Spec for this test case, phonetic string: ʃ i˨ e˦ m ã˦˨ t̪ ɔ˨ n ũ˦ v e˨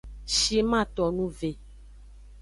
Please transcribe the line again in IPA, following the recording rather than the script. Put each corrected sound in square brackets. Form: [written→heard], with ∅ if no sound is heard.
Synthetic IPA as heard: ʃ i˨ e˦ m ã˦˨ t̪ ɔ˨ n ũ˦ v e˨